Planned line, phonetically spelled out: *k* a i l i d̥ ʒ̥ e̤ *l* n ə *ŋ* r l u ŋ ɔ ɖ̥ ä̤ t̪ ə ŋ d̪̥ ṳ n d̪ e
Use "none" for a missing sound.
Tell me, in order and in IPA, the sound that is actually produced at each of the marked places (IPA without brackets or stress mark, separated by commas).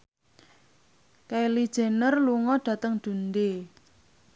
k, none, none